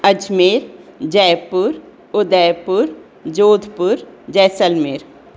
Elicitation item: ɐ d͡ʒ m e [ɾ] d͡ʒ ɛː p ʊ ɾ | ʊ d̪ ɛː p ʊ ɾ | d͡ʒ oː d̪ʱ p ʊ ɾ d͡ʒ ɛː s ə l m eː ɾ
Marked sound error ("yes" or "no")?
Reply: no